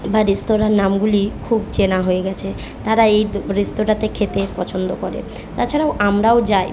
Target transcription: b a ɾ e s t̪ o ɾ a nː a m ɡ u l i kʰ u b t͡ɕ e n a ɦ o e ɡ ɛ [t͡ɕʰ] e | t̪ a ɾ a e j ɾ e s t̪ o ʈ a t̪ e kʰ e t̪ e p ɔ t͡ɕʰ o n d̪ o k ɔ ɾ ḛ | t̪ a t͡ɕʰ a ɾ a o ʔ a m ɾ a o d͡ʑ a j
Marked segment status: correct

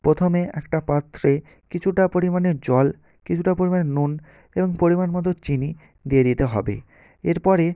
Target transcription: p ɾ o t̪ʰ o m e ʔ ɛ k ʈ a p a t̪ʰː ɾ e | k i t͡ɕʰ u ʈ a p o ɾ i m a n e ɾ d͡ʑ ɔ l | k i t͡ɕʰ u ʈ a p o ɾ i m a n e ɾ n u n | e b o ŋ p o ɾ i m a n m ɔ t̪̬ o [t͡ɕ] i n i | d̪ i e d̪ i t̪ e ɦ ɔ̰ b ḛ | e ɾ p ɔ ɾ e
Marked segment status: correct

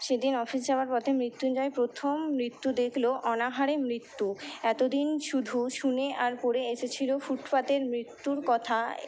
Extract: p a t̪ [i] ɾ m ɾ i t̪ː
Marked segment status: incorrect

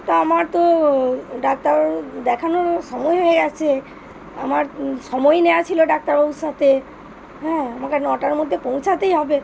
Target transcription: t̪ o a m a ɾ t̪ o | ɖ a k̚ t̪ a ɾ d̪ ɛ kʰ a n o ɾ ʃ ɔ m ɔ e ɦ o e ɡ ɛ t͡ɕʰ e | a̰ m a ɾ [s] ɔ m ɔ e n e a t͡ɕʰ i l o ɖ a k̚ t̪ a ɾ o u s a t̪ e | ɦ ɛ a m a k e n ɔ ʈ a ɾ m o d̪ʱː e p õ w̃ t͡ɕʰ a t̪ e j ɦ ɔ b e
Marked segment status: incorrect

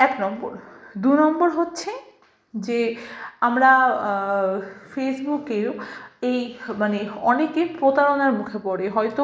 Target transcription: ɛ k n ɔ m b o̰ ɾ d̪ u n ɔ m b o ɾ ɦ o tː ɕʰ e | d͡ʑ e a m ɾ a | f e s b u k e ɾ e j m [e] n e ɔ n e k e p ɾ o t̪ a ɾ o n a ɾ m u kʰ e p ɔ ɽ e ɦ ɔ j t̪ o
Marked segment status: incorrect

